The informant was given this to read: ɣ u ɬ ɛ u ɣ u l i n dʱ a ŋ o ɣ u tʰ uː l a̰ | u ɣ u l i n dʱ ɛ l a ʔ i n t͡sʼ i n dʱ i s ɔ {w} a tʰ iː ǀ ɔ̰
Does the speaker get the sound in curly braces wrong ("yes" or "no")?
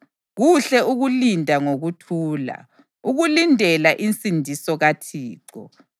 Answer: yes